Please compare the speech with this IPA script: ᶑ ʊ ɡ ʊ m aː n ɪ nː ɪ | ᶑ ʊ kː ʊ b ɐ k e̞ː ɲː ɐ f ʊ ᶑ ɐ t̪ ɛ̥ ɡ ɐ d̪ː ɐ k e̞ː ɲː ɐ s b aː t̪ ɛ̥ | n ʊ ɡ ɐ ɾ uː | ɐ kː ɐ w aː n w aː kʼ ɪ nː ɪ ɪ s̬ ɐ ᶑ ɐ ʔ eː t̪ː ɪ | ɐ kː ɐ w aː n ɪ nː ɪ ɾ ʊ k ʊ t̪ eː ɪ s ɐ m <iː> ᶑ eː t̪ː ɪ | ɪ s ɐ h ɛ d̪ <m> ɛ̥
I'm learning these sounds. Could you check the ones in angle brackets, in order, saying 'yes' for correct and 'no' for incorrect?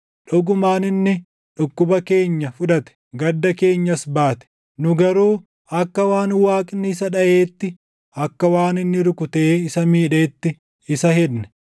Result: yes, no

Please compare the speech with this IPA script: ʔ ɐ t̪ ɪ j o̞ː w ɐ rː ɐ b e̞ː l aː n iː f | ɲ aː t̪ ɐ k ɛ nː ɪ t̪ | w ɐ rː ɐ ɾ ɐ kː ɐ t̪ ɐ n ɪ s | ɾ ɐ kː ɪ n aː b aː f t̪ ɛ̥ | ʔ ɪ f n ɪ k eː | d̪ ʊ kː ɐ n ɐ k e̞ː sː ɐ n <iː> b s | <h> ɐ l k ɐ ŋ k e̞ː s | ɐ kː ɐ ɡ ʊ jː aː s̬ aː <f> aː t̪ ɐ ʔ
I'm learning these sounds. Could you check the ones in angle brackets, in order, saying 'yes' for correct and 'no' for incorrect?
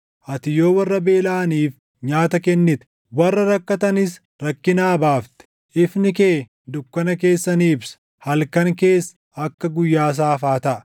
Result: yes, yes, yes

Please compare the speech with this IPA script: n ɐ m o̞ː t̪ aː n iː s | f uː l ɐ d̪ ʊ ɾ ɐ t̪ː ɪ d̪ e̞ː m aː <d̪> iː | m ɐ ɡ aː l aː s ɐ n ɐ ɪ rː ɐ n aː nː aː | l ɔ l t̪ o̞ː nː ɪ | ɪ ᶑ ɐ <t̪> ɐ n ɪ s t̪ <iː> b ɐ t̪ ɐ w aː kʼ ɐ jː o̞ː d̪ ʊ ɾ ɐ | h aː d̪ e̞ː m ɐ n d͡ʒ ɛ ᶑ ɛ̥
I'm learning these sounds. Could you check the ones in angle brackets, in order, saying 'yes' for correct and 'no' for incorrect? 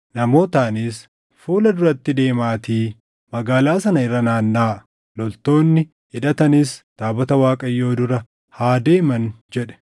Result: no, yes, no

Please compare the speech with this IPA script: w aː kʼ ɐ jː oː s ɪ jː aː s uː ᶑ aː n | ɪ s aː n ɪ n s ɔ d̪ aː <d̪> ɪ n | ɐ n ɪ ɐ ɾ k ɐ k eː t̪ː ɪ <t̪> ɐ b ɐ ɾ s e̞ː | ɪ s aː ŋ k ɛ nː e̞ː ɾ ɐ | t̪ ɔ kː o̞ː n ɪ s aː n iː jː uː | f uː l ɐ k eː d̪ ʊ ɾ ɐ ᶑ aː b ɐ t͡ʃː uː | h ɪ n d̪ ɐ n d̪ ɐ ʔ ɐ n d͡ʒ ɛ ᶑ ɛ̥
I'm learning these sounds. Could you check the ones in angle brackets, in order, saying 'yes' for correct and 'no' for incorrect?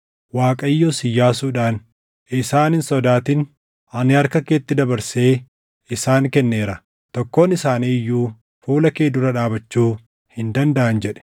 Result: no, no

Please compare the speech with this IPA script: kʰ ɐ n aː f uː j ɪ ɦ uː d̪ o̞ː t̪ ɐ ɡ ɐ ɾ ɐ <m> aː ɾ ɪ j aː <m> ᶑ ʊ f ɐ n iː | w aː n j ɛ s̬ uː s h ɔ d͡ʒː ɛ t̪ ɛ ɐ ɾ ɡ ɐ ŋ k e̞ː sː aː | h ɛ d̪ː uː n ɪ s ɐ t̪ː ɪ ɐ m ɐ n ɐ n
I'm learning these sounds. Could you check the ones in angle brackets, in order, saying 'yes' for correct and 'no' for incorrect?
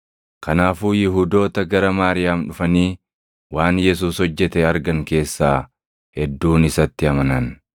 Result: yes, yes

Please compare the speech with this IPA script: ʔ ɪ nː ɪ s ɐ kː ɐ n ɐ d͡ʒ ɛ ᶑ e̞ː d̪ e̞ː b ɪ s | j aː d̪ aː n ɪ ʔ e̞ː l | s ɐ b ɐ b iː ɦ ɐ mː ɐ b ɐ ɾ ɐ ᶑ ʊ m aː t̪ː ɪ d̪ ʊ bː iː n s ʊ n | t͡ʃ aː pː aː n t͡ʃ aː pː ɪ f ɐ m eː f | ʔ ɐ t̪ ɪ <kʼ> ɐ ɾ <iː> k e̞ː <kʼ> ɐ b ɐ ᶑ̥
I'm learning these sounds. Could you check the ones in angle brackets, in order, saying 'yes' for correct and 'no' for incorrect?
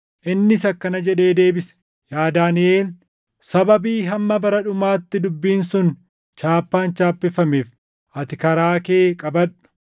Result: no, no, yes

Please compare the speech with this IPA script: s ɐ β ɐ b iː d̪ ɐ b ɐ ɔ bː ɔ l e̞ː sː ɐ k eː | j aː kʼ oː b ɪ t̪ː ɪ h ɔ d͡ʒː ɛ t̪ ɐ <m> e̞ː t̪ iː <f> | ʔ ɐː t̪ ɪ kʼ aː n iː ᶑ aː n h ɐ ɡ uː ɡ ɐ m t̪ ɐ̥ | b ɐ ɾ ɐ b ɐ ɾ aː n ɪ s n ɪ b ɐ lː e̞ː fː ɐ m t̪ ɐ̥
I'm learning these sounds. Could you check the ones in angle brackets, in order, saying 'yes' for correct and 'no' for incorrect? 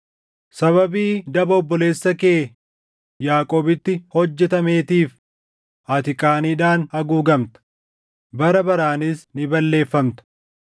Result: yes, yes

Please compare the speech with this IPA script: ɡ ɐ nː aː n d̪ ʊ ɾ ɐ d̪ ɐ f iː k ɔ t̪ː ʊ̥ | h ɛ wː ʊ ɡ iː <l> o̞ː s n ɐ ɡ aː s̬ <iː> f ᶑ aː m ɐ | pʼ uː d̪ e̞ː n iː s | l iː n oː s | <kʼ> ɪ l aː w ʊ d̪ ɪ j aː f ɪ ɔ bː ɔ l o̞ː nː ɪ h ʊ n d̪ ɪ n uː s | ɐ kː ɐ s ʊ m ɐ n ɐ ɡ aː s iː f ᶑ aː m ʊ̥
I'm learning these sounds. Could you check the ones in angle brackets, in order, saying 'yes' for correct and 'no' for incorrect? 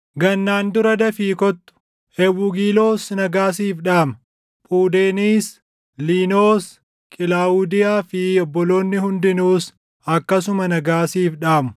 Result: yes, yes, yes

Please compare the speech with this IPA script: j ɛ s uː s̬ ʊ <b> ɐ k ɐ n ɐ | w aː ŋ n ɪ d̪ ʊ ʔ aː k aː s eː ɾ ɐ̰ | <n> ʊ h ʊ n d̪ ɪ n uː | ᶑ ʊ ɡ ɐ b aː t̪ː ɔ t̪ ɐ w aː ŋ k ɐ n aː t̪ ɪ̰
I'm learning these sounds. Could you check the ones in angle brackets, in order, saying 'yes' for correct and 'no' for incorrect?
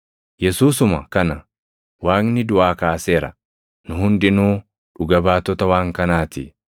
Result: no, yes

